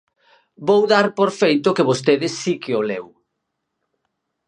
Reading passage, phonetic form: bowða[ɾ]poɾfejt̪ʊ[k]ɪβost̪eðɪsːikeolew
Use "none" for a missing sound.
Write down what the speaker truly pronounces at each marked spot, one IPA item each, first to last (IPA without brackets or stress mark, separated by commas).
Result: ɾ, k